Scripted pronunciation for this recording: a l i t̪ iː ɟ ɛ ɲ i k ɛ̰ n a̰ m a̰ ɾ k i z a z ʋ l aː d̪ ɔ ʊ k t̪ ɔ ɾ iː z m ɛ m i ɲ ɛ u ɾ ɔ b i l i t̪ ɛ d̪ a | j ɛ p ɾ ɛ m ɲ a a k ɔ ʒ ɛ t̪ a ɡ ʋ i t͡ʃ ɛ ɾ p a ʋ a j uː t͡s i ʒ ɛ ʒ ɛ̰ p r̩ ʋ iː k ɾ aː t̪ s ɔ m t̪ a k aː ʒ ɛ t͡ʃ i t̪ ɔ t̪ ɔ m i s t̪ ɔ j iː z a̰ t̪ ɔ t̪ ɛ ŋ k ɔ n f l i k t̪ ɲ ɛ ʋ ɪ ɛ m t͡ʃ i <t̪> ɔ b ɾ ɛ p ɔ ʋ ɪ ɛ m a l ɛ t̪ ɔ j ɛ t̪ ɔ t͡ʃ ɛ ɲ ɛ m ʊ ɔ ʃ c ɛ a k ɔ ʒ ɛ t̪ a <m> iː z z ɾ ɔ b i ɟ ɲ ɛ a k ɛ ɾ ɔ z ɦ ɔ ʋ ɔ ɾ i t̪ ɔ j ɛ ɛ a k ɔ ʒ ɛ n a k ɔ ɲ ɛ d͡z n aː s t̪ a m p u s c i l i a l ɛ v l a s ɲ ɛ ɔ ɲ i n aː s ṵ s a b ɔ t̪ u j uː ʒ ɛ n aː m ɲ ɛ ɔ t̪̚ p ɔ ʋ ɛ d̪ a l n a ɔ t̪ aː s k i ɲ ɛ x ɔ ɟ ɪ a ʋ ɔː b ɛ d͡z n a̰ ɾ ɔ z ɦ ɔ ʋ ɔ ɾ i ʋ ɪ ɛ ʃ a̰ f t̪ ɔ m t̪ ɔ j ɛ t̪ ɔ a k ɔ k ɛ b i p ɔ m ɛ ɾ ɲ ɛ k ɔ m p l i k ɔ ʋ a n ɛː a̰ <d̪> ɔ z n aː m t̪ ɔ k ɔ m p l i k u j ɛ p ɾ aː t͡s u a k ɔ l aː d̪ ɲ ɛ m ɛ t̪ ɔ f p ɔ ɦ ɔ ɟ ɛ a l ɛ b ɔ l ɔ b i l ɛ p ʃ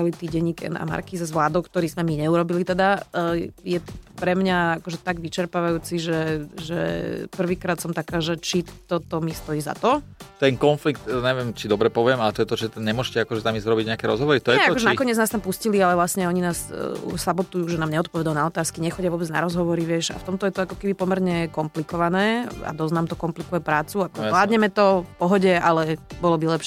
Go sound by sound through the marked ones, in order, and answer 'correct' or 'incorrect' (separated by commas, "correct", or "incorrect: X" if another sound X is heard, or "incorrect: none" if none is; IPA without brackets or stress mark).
incorrect: d̪, correct, correct